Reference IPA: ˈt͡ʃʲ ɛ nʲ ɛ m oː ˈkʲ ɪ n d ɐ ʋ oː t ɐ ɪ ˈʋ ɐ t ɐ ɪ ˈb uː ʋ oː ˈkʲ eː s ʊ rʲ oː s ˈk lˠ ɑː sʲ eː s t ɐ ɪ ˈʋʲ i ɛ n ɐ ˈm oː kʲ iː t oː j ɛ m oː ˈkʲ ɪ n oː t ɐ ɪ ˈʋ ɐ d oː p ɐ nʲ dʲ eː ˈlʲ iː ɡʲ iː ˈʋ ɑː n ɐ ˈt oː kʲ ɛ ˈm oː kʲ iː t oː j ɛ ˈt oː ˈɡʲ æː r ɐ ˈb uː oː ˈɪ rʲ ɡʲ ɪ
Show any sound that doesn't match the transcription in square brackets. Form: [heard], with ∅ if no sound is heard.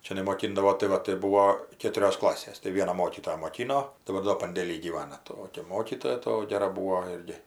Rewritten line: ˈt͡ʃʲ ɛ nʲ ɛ m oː ˈkʲ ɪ n d ɐ ʋ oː t ɐ ɪ ˈʋ ɐ t ɐ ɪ ˈb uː ʋ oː ˈkʲ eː [t] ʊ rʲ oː s ˈk lˠ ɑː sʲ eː s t ɐ ɪ ˈʋʲ i ɛ n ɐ ˈm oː kʲ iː t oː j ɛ m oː ˈkʲ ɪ n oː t ɐ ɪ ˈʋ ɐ d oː p ɐ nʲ dʲ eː ˈlʲ iː ɡʲ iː ˈʋ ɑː n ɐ ˈt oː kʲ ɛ ˈm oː kʲ iː t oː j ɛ ˈt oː ˈɡʲ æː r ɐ ˈb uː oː ˈɪ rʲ ɡʲ ɪ

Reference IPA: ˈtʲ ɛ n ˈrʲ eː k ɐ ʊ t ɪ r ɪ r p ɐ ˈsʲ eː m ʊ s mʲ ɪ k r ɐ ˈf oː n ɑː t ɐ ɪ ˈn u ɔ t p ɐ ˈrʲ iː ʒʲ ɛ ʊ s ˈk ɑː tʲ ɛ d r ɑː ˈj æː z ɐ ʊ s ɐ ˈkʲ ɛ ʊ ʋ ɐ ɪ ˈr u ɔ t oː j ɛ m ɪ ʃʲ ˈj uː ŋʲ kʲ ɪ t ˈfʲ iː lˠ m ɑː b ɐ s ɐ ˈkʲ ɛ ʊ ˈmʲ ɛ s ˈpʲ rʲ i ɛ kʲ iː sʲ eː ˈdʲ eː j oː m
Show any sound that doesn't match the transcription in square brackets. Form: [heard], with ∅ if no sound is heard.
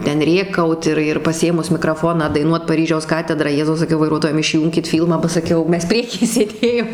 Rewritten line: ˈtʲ ɛ n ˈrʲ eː k ɐ ʊ t ɪ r ɪ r p ɐ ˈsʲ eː m ʊ s mʲ ɪ k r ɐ ˈf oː n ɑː [d] ɐ ɪ ˈn u ɔ t p ɐ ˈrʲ iː ʒʲ ɛ ʊ s ˈk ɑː tʲ ɛ d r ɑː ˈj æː z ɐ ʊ s ɐ ˈkʲ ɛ ʊ ʋ ɐ ɪ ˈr u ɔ t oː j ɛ m ɪ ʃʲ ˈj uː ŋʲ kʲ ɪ t ˈfʲ iː lˠ m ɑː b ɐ s ɐ ˈkʲ ɛ ʊ ˈmʲ ɛ s ˈpʲ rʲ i ɛ kʲ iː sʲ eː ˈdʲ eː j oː m

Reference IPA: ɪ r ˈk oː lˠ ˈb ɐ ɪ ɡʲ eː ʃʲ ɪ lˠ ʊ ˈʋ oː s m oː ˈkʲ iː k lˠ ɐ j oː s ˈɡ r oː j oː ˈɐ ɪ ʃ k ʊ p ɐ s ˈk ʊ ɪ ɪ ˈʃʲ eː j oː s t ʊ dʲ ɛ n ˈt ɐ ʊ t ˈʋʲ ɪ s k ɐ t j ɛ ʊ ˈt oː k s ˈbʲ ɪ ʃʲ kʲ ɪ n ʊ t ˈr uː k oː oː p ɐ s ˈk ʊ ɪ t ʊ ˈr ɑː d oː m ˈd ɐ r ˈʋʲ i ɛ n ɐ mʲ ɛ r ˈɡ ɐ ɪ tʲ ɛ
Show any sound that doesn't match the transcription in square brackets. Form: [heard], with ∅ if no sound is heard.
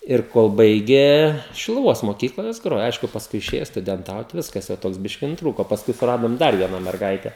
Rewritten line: ɪ r ˈk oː lˠ ˈb ɐ ɪ ɡʲ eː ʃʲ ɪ lˠ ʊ ˈʋ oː s m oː ˈkʲ iː k lˠ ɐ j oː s ˈɡ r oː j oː ˈɐ ɪ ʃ k ʊ p ɐ s ˈk ʊ ɪ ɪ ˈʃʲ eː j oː s t ʊ dʲ ɛ n ˈt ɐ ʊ t ˈʋʲ ɪ s k ɐ [s] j ɛ ʊ ˈt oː k s ˈbʲ ɪ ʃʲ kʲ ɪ n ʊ t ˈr uː k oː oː p ɐ s ˈk ʊ ɪ [s] ʊ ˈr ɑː d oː m ˈd ɐ r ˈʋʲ i ɛ n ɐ mʲ ɛ r ˈɡ ɐ ɪ tʲ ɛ

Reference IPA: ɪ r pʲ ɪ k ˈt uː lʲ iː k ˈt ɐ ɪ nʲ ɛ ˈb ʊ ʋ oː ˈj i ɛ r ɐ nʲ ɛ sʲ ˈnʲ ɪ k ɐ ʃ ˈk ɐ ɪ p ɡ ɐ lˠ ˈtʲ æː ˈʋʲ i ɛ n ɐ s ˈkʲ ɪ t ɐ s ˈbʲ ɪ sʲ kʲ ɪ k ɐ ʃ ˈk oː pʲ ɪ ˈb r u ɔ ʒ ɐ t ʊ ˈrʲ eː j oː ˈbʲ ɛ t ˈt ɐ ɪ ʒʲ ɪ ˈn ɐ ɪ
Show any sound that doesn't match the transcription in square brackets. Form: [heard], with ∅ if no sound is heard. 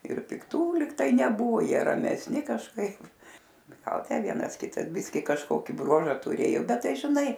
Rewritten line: ɪ r pʲ ɪ k ˈt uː lʲ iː k ˈt ɐ ɪ nʲ ɛ ˈb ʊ ʋ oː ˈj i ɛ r ɐ [mʲ] ɛ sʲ ˈnʲ ɪ k ɐ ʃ ˈk ɐ ɪ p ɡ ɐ lˠ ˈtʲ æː ˈʋʲ i ɛ n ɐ s ˈkʲ ɪ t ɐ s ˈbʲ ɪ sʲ kʲ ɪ k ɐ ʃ ˈk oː [kʲ] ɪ ˈb r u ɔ ʒ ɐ t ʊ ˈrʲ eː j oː ˈbʲ ɛ t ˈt ɐ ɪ ʒʲ ɪ ˈn ɐ ɪ

